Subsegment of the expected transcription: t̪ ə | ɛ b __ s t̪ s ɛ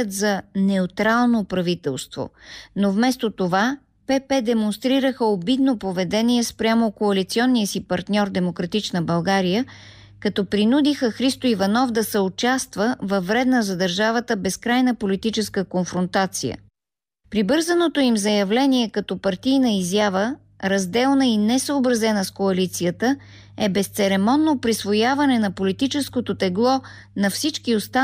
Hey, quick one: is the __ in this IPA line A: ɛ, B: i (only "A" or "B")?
A